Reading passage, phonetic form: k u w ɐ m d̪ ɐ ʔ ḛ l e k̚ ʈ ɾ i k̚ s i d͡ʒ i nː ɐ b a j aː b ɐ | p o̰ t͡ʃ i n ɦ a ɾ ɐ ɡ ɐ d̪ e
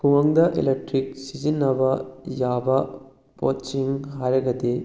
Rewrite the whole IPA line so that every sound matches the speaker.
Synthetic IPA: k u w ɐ ŋ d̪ ɐ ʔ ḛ l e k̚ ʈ ɾ i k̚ s i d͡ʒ i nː ɐ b ɐ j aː b ɐ | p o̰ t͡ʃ i ŋ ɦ a ɾ ɐ ɡ ɐ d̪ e